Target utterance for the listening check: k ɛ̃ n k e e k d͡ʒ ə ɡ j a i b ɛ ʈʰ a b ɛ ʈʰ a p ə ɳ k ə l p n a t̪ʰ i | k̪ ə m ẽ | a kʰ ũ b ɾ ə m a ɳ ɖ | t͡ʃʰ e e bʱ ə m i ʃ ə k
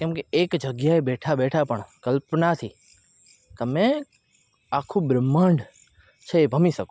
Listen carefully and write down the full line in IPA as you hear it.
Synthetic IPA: k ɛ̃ m k e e k d͡ʒ ə ɡ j a e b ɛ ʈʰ a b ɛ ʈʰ a p ə ɳ k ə l p n a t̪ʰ i | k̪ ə m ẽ | a kʰ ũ b ɾ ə m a ɳ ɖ | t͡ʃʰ e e bʱ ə m i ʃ ə k